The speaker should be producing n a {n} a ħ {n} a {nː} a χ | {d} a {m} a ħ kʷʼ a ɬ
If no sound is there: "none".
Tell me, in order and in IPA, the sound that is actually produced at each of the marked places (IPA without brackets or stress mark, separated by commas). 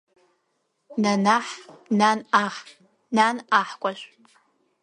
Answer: n, n, n, n, n